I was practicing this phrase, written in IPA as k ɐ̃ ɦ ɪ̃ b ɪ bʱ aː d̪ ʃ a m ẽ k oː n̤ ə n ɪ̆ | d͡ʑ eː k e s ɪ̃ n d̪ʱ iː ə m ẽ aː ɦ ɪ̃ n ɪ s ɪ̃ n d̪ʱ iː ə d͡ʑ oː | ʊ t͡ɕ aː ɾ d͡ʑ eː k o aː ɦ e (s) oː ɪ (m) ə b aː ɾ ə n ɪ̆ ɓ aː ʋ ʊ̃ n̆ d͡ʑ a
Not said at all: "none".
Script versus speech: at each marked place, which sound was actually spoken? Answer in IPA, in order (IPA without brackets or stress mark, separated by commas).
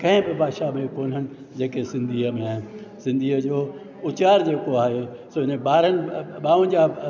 s, n